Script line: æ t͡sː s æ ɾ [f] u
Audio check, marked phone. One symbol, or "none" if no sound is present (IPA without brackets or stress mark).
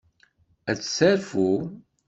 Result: f